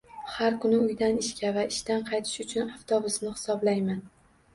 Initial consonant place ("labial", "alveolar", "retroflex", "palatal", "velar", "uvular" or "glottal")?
glottal